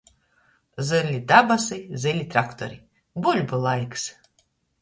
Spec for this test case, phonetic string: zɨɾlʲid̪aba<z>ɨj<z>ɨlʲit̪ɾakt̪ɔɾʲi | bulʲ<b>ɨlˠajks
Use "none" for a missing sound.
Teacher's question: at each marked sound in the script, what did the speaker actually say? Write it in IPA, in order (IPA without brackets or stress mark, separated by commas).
s, z, b